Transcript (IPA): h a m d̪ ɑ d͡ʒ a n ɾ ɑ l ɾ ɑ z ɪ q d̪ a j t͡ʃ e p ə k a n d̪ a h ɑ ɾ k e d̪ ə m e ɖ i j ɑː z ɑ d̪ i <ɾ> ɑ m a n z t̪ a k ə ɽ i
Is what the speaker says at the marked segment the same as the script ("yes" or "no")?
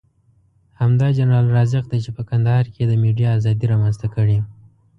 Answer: yes